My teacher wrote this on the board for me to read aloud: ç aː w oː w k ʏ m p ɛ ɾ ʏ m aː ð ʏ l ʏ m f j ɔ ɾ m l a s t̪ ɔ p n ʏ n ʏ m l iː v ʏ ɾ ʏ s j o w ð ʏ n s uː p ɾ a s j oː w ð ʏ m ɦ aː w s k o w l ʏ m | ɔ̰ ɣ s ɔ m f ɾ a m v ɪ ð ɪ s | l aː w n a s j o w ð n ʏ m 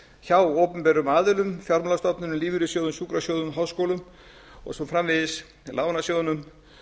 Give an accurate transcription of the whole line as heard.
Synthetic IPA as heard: ç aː w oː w p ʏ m p ɛ ɾ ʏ m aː ð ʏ l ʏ m f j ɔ ɾ m l a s t̪ ɔ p n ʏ n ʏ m l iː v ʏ ɾ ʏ s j o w ð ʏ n s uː k ɾ a s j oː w ð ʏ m ɦ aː w s k o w l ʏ m | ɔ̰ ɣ s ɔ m f ɾ a m v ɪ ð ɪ s | l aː w n a s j o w ð n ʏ m